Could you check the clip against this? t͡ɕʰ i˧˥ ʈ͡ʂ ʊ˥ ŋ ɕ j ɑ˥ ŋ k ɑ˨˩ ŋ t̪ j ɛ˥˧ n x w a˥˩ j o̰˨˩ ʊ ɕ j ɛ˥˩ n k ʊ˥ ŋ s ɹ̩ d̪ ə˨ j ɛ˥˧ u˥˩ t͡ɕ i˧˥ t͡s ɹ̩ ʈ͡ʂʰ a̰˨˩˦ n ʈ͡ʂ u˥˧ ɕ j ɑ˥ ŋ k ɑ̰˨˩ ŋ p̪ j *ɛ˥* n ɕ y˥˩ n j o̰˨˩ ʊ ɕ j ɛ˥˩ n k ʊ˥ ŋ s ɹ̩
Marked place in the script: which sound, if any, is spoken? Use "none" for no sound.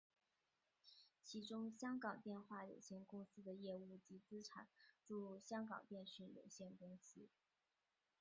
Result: ɛ˥˧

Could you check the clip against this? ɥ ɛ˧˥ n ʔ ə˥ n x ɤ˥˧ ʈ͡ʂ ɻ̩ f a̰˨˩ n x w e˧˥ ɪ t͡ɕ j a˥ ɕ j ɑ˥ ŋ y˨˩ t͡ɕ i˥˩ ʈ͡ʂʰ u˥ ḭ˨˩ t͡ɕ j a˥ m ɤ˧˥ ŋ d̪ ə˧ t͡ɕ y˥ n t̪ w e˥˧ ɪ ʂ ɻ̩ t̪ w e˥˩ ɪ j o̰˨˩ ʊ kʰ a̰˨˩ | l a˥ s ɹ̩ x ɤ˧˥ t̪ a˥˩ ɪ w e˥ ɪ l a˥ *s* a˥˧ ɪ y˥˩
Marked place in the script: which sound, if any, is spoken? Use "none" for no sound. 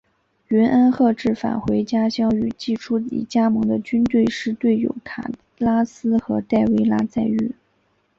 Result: t͡s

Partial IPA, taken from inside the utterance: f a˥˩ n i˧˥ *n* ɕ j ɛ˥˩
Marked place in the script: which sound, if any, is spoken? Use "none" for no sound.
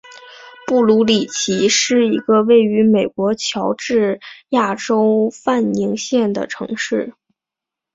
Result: ŋ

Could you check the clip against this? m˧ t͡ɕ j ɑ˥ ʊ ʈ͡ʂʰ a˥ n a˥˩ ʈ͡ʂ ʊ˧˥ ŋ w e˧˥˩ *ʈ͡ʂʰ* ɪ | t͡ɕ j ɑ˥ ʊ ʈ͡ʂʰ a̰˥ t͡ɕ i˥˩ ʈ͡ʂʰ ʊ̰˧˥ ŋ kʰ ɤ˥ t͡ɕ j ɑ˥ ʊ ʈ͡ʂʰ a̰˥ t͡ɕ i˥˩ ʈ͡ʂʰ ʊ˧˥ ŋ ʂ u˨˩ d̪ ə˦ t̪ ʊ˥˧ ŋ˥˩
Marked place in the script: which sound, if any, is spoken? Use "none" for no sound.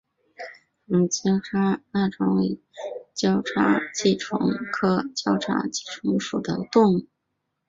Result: none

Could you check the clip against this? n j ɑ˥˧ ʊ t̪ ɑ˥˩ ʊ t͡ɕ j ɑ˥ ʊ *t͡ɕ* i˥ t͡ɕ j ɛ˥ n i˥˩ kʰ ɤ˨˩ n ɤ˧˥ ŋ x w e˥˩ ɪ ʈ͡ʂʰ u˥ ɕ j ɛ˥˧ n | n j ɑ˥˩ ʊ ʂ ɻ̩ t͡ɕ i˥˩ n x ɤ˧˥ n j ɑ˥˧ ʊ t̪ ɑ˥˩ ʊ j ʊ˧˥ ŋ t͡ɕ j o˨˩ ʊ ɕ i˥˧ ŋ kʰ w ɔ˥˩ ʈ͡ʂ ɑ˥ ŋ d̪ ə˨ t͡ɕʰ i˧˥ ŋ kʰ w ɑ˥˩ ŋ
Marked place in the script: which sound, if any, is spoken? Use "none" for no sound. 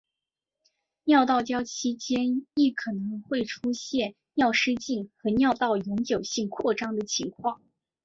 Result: t͡ɕʰ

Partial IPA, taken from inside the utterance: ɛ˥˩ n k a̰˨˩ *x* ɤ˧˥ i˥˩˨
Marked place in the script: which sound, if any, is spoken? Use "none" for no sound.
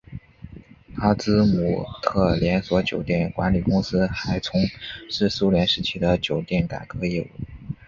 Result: k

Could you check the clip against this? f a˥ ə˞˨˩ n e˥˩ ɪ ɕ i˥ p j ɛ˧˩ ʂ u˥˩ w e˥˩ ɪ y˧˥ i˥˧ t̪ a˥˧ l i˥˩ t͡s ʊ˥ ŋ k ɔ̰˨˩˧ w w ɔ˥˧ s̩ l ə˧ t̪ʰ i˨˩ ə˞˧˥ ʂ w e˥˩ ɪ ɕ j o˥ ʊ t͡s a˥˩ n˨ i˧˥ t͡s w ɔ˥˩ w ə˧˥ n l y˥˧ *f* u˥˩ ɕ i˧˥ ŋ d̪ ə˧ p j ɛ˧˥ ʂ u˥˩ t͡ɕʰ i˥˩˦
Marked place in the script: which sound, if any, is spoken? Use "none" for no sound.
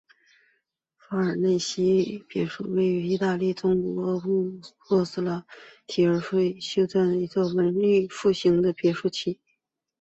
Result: f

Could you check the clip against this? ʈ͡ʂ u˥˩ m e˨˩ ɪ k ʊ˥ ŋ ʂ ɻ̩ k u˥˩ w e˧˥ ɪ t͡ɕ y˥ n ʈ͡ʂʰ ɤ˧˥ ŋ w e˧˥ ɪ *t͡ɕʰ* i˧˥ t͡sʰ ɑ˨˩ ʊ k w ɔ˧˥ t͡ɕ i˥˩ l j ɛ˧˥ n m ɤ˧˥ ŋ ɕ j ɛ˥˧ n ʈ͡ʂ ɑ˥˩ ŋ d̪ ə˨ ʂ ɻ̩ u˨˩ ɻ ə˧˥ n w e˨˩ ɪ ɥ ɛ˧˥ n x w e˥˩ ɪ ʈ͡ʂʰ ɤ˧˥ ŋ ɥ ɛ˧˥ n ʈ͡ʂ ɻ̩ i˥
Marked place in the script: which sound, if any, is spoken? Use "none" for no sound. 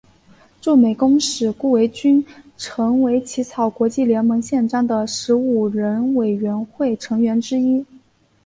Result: t͡ɕʰ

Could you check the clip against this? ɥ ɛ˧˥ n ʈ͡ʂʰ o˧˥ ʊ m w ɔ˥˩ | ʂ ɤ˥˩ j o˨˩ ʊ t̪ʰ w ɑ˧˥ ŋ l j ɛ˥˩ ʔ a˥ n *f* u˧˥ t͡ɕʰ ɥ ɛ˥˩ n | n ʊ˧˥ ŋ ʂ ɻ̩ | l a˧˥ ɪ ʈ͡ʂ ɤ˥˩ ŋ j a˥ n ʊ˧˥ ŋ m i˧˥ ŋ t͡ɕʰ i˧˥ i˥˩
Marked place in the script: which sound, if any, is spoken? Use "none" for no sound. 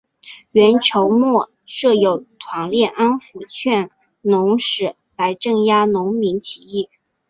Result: f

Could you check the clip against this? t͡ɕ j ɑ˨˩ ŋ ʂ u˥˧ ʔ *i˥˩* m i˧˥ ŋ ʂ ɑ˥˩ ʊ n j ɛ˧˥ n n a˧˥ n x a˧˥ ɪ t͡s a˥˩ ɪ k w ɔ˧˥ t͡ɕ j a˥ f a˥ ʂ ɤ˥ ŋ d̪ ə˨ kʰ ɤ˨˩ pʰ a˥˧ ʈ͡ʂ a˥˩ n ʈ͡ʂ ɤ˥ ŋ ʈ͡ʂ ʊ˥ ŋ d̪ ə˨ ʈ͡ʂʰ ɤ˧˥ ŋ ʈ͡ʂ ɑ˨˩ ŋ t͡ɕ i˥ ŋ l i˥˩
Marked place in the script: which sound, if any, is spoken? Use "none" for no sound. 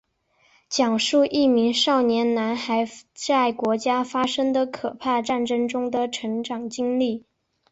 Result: i˥˩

